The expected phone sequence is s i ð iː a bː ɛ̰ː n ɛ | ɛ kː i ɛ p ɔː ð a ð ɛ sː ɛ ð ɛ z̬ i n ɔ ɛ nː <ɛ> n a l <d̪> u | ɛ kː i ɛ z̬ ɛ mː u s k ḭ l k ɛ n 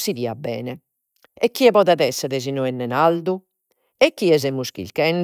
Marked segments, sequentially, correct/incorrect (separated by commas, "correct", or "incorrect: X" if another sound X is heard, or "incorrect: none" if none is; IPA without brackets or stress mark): correct, correct